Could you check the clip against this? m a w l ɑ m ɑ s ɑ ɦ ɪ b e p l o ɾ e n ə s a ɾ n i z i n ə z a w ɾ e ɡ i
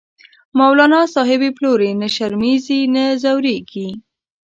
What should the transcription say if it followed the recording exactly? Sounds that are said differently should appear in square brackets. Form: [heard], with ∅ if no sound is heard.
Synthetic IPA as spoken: m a w l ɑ [n] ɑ s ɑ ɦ ɪ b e p l o ɾ e n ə [ʃ] a ɾ [m] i z i n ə z a w ɾ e ɡ i